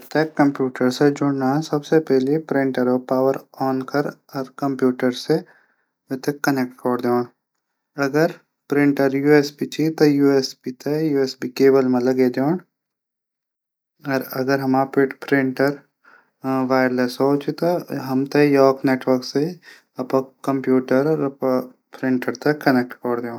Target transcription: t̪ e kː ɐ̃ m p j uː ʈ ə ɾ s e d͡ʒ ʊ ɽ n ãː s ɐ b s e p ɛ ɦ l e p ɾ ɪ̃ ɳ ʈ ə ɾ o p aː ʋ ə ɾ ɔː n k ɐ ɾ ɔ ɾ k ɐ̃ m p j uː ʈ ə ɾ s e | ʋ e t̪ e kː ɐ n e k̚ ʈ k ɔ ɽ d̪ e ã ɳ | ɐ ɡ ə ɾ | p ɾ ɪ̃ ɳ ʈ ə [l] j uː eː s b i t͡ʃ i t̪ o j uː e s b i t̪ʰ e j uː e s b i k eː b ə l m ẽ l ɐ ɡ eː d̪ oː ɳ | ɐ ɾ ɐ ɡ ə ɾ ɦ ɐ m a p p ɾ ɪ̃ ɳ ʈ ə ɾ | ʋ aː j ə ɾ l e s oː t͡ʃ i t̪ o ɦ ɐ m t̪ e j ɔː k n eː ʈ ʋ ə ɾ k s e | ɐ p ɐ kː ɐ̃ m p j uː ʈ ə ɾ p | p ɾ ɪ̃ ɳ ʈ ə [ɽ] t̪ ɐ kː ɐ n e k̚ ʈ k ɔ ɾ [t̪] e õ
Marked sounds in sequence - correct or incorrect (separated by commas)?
incorrect, incorrect, incorrect